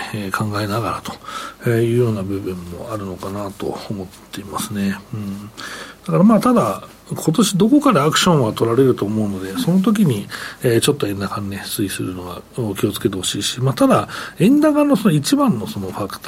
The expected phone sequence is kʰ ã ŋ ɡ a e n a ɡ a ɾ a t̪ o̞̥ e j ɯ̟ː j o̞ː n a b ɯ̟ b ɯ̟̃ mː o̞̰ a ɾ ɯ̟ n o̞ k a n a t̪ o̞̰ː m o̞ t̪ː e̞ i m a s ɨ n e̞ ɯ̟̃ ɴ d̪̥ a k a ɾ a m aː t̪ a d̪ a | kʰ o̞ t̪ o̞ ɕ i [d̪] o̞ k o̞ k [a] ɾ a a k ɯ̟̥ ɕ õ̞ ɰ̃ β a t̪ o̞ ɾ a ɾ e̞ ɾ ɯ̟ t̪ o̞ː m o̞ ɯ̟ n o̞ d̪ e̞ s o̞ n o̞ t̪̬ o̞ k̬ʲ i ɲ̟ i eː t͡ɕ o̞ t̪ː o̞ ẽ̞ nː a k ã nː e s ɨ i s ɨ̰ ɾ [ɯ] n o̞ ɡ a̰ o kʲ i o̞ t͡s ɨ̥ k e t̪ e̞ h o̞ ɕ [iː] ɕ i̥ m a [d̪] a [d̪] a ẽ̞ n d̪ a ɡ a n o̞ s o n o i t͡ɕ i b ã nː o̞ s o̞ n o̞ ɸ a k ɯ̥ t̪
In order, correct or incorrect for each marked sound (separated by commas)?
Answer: correct, correct, correct, correct, incorrect, correct